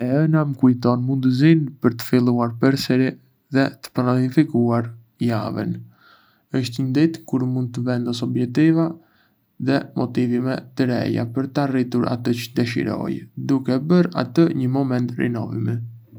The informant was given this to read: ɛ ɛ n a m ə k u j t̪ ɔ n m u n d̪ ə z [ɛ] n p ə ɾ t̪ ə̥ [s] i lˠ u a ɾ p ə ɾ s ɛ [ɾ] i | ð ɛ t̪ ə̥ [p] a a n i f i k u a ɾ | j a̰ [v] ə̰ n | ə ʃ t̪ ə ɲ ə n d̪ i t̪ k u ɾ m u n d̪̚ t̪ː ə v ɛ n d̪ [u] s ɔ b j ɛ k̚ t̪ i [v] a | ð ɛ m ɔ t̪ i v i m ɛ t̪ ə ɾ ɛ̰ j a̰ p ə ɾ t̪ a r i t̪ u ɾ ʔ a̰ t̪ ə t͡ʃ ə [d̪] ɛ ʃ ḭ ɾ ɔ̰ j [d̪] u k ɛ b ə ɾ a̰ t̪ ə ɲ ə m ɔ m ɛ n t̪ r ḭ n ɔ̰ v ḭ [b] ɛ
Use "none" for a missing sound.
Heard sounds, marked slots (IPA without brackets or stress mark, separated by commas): i, f, ɾ, p, v, ɔ, v, d̪, d̪, m